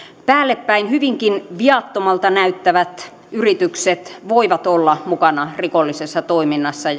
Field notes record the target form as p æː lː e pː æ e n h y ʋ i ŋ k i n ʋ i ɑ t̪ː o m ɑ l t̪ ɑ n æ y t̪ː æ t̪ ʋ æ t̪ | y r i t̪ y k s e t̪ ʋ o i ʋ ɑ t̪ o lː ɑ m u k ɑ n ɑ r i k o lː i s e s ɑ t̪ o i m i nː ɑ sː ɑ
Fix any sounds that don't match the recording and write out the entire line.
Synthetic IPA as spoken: p æː lː e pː æ i n h y ʋ i ŋ k i n ʋ i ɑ t̪ː o m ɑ l t̪ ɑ n æ y t̪ː æ ʋ æ t̪ | y r i t̪ y k s e t̪ ʋ o i ʋ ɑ t̪ o lː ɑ m u k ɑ n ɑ r i k o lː i s e sː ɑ t̪ o i m i nː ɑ sː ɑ

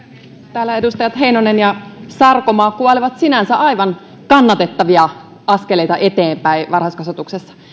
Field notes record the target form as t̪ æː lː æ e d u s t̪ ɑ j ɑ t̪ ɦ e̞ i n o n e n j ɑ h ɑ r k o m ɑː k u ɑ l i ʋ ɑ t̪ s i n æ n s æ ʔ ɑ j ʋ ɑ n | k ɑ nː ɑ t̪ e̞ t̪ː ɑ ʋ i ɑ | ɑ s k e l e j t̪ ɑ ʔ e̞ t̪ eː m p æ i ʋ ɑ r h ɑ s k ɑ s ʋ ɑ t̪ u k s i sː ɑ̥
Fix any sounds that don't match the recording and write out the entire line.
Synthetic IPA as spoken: t̪ æː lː æ e d u s t̪ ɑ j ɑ t̪ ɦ e̞ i n o n e n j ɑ s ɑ r k o m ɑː k u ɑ l i ʋ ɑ t̪ s i n æ n s æ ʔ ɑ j ʋ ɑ n | k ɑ nː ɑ t̪ e̞ t̪ː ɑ ʋ i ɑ | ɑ s k e l e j t̪ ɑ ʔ e̞ t̪ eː m p æ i ʋ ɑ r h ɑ s k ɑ s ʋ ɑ t̪ u k s e sː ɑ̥

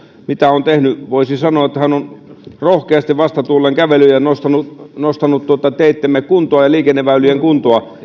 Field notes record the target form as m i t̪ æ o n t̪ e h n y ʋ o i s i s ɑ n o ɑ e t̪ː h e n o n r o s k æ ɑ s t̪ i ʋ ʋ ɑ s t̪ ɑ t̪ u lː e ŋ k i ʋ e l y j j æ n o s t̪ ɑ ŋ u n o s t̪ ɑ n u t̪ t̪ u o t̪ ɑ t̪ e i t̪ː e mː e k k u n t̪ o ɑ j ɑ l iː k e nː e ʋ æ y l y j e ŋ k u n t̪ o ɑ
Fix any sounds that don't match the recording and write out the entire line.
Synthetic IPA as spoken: m i t̪ æ o n t̪ e h n y ʋ o i s i s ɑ n o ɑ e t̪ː h æ n o n r o h k e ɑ s t̪ i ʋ ʋ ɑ s t̪ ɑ t̪ u lː e ŋ k æ ʋ e l y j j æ n o s t̪ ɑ n u n o s t̪ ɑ n u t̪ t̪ u o t̪ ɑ t̪ e i t̪ː e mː e k k u n t̪ o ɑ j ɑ l iː k e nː e ʋ æ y l y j e ŋ k u n t̪ o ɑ

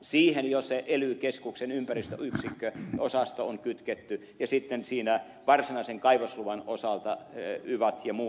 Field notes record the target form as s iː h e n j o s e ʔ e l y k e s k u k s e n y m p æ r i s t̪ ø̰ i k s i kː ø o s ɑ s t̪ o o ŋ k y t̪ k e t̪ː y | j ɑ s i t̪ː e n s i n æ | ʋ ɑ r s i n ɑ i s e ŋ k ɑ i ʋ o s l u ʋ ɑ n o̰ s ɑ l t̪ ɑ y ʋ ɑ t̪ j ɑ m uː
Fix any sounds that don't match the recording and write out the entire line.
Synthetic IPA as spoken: s iː h e n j o s e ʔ e l y k e s k u k s e n y m p æ r i s t̪ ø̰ y k s i kː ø o s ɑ s t̪ o o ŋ k y t̪ k e t̪ː y | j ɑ s i t̪ː e n s iː n æ | ʋ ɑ r s i n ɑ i s e ŋ k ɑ i ʋ o s l u ʋ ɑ n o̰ s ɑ l t̪ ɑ y ʋ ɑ t̪ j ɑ m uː

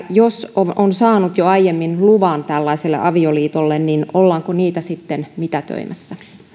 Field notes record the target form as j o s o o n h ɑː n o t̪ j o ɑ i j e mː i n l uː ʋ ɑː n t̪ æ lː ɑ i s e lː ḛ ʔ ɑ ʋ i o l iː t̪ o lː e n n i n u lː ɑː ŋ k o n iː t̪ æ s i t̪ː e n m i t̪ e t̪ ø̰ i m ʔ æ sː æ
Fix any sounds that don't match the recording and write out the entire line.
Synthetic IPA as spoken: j o s o o n s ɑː n u t̪ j o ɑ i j e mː i n l u ʋ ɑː n t̪ æ lː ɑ i s e lː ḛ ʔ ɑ ʋ i o l iː t̪ o lː e n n i n o lː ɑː ŋ k o n iː t̪ æ s i t̪ː e n m i t̪ æ t̪ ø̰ i m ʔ æ sː æ

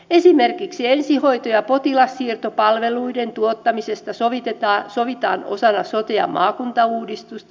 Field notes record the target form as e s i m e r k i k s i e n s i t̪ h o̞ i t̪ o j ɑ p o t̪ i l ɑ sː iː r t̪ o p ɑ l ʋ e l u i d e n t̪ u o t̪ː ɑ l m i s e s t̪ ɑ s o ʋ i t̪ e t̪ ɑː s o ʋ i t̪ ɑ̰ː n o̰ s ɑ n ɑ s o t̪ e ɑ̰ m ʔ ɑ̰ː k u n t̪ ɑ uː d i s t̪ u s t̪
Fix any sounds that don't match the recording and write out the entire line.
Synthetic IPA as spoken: e s i m e r k i k s i e n s i h o̞ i t̪ o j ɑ p o t̪ i l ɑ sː iː r t̪ o p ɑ l ʋ e l u i d e n t̪ u o t̪ː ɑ m i s e s t̪ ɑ s o ʋ i t̪ e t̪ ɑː s o ʋ i t̪ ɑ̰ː n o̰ s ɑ n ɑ s o t̪ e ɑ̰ m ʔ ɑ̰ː k u n t̪ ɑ uː d i s t̪ u s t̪

